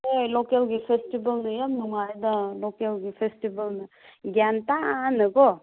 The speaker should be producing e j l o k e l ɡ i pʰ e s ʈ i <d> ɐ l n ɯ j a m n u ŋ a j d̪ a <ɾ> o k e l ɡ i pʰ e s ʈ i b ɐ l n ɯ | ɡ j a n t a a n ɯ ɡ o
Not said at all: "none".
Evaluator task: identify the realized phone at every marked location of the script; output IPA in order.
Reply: b, l

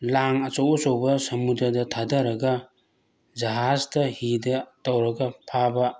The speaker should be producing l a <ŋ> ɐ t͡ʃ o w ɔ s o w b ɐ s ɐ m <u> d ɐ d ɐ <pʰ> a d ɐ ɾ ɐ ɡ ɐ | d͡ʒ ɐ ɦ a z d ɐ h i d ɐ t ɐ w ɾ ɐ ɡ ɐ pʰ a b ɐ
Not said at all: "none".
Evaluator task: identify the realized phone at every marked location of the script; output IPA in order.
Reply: ŋ, u, tʰ

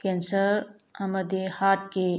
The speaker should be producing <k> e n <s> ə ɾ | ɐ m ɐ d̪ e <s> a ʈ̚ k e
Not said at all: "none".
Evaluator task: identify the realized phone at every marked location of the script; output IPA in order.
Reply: k, s, h

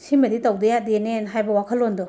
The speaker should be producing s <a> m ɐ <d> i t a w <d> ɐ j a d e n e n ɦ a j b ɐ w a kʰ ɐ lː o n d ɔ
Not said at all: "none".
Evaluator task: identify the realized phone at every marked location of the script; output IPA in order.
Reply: i, d, d

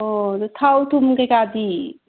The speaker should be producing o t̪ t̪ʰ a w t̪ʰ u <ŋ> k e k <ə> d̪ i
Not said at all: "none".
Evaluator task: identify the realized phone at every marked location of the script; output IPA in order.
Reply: m, a

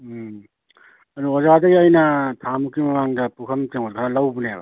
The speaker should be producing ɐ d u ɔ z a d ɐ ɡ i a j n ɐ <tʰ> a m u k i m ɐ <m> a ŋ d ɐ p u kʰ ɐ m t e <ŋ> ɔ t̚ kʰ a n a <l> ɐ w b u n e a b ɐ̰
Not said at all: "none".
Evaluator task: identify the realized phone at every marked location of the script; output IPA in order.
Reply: tʰ, m, ŋ, l

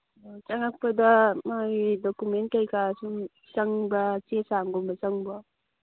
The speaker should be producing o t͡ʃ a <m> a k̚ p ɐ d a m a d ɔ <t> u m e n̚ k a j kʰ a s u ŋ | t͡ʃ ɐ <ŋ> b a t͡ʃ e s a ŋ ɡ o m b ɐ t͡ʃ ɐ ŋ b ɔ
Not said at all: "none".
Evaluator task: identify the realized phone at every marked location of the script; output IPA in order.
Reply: ŋ, k, ŋ

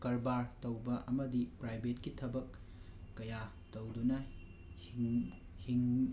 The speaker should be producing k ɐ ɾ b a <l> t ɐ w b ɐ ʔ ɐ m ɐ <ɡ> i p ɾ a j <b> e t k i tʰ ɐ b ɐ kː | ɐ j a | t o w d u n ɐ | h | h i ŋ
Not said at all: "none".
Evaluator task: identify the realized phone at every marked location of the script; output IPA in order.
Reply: ɾ, d, b

